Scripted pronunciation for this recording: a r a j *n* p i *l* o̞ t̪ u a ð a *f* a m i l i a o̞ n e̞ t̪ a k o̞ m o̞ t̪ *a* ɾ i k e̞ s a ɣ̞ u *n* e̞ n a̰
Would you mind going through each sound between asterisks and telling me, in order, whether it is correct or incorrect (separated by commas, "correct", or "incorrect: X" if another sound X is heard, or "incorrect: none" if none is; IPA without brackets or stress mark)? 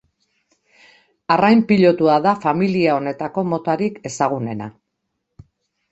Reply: incorrect: m, incorrect: ʎ, correct, correct, correct